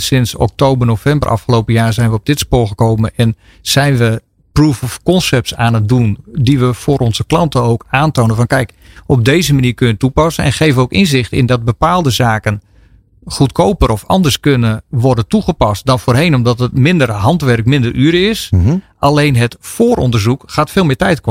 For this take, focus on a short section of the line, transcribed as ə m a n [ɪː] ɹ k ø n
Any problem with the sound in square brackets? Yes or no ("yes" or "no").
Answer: yes